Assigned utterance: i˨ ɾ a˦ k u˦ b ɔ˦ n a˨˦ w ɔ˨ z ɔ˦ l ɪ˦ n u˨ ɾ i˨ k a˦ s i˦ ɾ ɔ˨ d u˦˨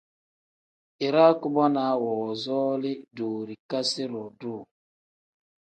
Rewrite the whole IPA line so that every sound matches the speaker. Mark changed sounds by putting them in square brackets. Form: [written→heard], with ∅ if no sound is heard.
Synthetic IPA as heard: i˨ ɾ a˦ k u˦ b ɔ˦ n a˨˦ w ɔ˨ z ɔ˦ l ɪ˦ [n→d] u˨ ɾ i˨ k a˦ s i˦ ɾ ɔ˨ d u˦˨